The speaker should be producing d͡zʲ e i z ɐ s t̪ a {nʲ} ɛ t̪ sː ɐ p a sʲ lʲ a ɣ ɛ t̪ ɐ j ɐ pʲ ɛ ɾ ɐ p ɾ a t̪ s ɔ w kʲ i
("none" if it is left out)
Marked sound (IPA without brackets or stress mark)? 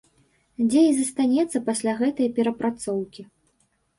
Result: nʲ